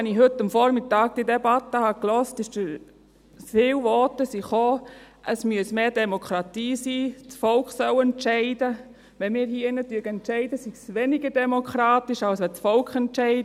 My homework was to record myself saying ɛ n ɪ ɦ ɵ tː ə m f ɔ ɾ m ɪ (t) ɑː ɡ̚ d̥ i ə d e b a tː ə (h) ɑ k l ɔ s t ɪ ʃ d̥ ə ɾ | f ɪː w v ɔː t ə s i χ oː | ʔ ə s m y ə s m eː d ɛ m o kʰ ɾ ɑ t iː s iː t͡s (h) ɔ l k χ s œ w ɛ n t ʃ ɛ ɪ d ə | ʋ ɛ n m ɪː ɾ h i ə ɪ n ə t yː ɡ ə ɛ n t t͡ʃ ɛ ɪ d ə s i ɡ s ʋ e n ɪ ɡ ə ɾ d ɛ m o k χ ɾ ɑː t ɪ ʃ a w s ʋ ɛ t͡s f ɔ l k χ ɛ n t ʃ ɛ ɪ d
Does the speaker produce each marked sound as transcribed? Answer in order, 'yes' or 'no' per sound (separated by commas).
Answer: yes, yes, no